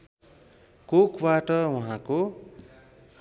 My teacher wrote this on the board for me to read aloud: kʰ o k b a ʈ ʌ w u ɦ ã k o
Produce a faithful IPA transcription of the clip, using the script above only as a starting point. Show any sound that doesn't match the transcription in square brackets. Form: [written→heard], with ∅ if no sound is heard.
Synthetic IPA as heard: [kʰ→k] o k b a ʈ ʌ w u ɦ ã k o